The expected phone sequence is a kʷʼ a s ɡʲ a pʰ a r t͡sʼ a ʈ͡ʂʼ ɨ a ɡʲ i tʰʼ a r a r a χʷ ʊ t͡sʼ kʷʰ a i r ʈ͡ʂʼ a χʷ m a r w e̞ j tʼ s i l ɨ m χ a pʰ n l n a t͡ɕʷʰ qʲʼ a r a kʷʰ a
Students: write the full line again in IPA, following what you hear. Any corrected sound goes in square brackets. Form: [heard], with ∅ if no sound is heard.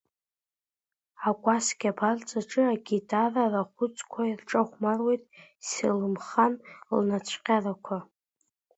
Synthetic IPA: a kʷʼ a s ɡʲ a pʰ a r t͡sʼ a ʈ͡ʂʼ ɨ a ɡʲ i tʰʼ a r a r a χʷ ʊ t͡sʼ kʷʰ a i r ʈ͡ʂʼ a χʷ m a r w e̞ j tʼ s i l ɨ m χ a [∅] n l n a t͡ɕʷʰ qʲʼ a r a kʷʰ a